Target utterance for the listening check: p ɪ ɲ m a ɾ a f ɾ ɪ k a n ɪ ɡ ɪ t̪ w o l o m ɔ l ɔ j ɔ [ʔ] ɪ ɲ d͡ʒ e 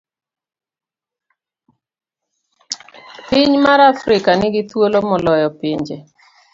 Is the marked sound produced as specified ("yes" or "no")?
no